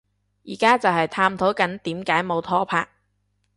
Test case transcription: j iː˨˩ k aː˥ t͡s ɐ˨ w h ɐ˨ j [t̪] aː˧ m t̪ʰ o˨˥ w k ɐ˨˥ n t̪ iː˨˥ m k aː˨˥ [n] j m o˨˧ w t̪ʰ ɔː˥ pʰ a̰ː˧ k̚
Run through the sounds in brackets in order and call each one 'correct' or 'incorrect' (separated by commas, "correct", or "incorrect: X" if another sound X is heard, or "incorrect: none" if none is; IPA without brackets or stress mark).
incorrect: t̪ʰ, incorrect: none